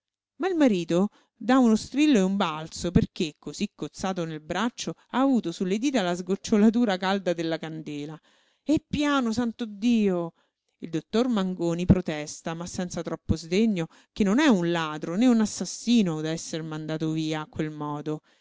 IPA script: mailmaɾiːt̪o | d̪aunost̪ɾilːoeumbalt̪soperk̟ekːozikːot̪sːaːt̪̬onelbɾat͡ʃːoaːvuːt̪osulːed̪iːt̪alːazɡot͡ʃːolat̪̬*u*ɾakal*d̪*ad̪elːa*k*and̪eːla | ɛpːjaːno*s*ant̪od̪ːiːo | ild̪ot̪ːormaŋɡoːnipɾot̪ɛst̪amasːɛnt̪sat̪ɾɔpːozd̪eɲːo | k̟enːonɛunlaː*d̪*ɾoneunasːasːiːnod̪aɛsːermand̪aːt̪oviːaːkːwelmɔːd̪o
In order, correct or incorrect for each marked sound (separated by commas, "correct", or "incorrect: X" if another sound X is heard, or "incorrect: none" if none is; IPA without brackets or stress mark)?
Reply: incorrect: uː, correct, correct, correct, correct